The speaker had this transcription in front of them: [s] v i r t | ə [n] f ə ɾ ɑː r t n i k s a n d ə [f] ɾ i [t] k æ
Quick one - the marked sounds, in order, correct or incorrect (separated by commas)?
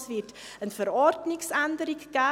correct, correct, incorrect, incorrect